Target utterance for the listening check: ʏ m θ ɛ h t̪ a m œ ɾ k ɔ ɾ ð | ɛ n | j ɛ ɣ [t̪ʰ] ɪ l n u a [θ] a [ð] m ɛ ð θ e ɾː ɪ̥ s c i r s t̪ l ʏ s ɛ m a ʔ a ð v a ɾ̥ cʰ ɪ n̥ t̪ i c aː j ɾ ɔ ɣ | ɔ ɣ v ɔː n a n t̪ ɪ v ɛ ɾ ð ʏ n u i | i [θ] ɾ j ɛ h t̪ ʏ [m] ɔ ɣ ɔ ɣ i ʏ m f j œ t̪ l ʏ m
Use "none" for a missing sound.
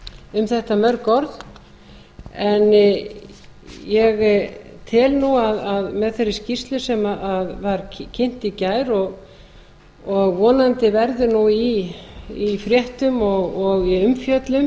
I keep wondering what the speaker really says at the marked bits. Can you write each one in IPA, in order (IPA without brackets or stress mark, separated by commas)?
t̪ʰ, ð, ð, f, m